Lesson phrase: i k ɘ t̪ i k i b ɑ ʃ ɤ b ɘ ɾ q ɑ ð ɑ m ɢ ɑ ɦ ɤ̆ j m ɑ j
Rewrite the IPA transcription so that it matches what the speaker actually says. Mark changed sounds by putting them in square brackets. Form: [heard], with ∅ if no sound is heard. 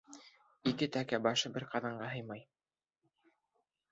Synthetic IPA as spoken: i k ɘ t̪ [æ] k [æ] b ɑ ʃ ɤ b ɘ ɾ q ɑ ð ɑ [ɴ] ɢ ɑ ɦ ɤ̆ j m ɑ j

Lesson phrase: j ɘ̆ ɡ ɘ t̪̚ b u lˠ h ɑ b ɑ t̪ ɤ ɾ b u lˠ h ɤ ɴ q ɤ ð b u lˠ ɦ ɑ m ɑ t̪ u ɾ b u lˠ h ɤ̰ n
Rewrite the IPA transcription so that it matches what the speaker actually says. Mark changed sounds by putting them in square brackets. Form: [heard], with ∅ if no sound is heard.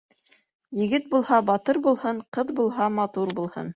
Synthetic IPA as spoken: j ɘ̆ ɡ ɘ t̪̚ b u lˠ h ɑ b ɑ t̪ ɤ ɾ b u lˠ h ɤ ɴ q ɤ ð b u lˠ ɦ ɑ m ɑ t̪ u ɾ b u lˠ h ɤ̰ n

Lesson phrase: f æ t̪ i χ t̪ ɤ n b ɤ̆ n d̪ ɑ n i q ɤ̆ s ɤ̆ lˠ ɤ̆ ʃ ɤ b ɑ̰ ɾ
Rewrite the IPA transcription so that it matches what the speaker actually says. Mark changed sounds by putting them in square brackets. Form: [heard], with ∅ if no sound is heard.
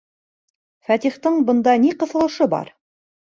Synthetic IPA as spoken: f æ t̪ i χ t̪ ɤ [ɴ] b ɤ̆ n d̪ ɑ n i q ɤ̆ [θ] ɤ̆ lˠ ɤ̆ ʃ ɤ b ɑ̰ ɾ

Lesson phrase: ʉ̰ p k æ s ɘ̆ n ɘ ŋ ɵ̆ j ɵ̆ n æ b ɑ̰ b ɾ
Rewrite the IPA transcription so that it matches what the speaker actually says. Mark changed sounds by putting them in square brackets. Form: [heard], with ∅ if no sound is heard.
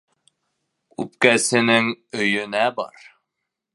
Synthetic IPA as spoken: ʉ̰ p k æ s ɘ̆ n ɘ ŋ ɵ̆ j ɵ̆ n æ b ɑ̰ [∅] ɾ

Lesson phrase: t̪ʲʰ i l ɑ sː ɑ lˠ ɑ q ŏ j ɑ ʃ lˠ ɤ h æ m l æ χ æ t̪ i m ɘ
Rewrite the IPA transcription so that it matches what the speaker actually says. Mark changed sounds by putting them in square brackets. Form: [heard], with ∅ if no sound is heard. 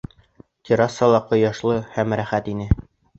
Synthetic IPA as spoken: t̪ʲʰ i [ɾ] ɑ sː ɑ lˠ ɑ q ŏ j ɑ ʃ lˠ ɤ h æ m [ɾ] æ χ æ t̪ i [n] ɘ

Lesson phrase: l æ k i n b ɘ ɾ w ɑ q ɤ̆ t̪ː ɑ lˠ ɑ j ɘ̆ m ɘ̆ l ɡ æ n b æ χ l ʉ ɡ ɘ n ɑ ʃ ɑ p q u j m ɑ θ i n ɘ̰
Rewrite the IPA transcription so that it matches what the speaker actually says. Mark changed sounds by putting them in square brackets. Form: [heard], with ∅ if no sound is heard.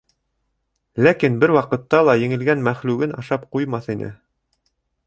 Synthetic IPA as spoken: l æ k i n b ɘ ɾ w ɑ q ɤ̆ t̪ː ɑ lˠ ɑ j ɘ̆ [ŋ] ɘ̆ l ɡ æ n [m] æ χ l ʉ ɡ ɘ n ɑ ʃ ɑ p q u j m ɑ θ i n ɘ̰

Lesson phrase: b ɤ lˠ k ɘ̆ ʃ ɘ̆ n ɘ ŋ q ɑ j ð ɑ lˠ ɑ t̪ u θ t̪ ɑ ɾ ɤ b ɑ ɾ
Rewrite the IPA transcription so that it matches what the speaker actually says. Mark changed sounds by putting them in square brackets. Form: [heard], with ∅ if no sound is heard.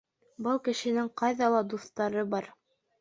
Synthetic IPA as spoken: b ɤ lˠ k ɘ̆ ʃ ɘ̆ n ɘ ŋ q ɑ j ð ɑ lˠ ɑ [d̪] u θ t̪ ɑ ɾ ɤ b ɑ ɾ

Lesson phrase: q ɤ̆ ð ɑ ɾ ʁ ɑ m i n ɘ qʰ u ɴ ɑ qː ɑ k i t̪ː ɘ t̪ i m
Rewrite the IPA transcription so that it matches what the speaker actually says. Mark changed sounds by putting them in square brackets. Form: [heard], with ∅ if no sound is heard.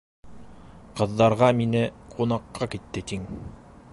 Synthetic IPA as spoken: q ɤ̆ [ðː] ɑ ɾ ʁ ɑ m i n ɘ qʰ u [n] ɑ qː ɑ k i t̪ː ɘ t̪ i [ŋ]

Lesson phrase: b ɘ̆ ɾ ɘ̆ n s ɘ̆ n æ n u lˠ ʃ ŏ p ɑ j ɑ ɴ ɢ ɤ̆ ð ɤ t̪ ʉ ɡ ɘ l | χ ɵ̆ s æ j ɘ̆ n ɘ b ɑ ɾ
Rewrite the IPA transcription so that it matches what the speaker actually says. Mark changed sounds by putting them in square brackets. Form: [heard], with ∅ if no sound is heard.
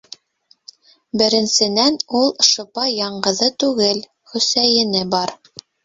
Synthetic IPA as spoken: b ɘ̆ ɾ ɘ̆ n s ɘ̆ n æ n u lˠ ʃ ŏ p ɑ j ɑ ɴ ɢ ɤ̆ ð ɤ t̪ ʉ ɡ ɘ l | χ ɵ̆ s æ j ɘ̆ n ɘ b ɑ ɾ

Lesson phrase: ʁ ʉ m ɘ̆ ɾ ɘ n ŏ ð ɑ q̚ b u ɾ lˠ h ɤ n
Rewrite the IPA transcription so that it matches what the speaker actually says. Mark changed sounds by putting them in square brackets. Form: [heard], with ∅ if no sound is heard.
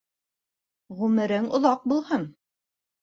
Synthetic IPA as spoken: ʁ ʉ m ɘ̆ ɾ ɘ [ŋ] ŏ ð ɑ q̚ b u [∅] lˠ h ɤ n

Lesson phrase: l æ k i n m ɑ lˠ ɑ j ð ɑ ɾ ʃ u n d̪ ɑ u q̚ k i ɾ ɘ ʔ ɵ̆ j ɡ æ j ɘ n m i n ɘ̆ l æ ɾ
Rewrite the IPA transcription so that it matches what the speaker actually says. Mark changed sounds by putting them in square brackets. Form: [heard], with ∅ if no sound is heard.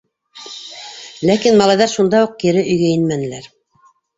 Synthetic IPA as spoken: l æ k i n m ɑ lˠ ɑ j ð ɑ ɾ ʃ u n d̪ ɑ u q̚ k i ɾ ɘ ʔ ɵ̆ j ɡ æ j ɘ n m [æ] n ɘ̆ l æ ɾ

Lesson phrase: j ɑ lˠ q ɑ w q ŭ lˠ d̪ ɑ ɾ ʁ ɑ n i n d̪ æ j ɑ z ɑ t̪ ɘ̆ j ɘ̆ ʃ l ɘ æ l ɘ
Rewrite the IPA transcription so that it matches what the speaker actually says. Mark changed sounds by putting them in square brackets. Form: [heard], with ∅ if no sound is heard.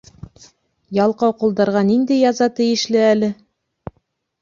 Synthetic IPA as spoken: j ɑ lˠ q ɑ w q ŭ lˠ d̪ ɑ ɾ ʁ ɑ n i n d̪ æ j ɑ z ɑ t̪ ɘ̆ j ɘ̆ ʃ l ɘ æ l ɘ

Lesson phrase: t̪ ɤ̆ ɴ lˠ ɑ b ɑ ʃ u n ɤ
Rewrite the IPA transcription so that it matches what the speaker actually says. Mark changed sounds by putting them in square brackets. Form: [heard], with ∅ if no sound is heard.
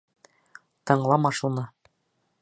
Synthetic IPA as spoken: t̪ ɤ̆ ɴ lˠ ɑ [m] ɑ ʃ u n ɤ

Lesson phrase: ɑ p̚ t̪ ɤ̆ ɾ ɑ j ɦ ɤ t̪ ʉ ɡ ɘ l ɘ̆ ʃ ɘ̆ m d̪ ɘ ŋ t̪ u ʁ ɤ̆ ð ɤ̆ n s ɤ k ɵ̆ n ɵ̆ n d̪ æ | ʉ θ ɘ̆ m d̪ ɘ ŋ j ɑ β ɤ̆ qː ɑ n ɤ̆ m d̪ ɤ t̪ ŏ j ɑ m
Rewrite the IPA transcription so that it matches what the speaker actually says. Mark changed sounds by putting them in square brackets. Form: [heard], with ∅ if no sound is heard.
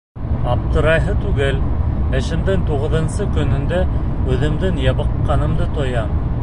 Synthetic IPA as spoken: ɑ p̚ t̪ ɤ̆ ɾ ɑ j ɦ ɤ t̪ ʉ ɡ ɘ l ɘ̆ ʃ ɘ̆ m d̪ ɘ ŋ t̪ u ʁ ɤ̆ ð ɤ̆ n s ɤ k ɵ̆ n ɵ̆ n d̪ æ | ʉ [ð] ɘ̆ m d̪ ɘ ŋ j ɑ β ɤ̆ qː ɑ n ɤ̆ m d̪ ɤ t̪ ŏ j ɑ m

